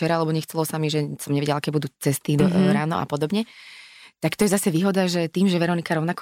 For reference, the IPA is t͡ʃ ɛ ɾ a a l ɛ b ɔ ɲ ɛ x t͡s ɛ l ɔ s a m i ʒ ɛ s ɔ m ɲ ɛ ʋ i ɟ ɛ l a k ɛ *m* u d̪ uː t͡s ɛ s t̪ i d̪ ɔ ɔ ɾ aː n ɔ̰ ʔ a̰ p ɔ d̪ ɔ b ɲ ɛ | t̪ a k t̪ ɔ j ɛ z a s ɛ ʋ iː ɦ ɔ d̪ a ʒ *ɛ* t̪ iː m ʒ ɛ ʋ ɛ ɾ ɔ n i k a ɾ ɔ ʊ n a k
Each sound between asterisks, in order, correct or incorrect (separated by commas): incorrect, correct